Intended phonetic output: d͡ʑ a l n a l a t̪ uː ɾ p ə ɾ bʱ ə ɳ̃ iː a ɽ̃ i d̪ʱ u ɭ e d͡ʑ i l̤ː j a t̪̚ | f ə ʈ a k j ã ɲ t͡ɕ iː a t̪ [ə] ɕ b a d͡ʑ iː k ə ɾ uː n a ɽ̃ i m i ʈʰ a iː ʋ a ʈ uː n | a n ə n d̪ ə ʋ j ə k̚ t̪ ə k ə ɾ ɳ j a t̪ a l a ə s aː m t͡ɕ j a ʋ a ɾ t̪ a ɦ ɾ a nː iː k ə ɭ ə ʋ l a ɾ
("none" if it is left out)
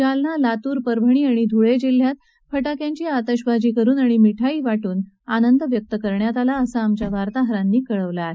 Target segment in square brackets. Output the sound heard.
ə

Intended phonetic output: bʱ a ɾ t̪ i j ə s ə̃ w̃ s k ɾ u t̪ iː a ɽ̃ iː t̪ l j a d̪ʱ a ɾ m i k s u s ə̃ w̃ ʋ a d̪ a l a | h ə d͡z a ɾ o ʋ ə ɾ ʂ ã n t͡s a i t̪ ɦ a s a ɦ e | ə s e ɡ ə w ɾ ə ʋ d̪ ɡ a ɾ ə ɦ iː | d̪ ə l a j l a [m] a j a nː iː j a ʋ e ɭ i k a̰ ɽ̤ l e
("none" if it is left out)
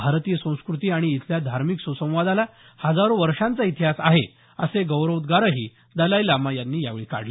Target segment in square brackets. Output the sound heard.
m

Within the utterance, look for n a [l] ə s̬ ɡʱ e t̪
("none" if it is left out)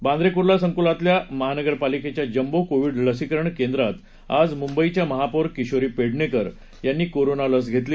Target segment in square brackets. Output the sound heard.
l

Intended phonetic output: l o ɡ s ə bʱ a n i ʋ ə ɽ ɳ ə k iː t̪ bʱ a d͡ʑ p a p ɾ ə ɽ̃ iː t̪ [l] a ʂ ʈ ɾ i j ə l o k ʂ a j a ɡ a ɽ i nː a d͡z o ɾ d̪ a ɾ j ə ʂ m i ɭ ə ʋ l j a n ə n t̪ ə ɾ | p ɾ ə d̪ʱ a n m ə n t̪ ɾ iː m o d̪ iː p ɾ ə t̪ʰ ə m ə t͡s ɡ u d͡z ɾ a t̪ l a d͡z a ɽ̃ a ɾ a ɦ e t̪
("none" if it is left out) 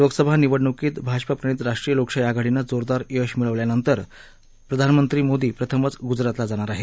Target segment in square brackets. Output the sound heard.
ɾ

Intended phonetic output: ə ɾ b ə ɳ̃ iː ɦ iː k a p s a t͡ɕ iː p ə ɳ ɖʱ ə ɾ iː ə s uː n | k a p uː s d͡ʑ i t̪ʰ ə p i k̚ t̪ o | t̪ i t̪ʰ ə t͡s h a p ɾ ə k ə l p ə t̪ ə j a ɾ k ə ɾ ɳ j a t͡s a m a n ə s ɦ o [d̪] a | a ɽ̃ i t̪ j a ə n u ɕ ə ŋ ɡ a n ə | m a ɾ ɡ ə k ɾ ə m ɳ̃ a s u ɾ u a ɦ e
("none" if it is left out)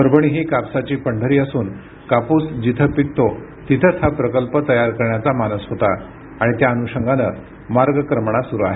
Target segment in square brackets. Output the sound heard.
t̪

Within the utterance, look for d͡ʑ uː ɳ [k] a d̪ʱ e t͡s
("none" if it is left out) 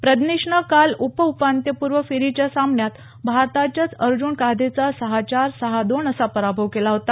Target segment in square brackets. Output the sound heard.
k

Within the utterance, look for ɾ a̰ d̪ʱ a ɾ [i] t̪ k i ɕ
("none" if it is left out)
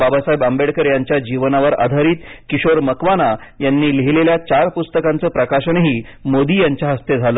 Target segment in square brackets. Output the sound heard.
iː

